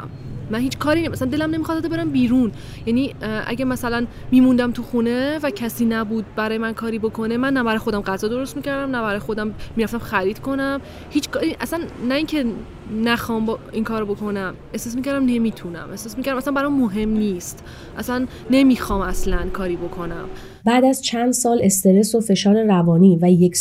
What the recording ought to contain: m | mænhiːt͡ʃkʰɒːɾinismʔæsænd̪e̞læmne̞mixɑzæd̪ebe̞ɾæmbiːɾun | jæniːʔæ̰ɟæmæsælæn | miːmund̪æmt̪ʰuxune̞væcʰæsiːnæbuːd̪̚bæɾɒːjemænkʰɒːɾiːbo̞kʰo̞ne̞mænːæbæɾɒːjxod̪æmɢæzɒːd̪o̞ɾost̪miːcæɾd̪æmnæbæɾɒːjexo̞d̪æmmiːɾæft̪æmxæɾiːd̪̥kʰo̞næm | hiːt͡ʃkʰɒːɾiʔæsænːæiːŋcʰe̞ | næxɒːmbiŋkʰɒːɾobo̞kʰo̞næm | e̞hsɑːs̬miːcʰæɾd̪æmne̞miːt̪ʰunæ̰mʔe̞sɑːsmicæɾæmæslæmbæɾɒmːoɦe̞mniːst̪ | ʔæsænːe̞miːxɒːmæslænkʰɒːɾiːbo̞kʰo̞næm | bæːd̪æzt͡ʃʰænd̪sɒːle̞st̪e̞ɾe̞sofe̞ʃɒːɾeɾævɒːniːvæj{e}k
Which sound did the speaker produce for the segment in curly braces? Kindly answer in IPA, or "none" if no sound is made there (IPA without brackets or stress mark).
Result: e